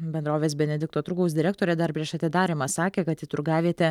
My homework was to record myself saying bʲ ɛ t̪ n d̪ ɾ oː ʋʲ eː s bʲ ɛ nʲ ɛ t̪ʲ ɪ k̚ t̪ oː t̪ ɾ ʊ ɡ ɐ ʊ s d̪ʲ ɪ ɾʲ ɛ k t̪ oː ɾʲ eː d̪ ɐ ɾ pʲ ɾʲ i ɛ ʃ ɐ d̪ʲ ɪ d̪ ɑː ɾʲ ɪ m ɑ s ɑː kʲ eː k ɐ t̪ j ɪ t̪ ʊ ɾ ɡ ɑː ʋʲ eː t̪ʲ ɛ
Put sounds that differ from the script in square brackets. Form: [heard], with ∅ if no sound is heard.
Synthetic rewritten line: bʲ ɛ [∅] n d̪ ɾ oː ʋʲ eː s bʲ ɛ nʲ ɛ [d̪ʲ] ɪ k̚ t̪ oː t̪ ɾ ʊ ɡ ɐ ʊ s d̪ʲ ɪ ɾʲ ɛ k t̪ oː ɾʲ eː d̪ ɐ ɾ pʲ ɾʲ i ɛ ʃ ɐ [t̪ʲ] ɪ d̪ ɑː ɾʲ ɪ m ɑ s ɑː kʲ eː k ɐ t̪ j ɪ t̪ ʊ ɾ ɡ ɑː ʋʲ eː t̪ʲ ɛ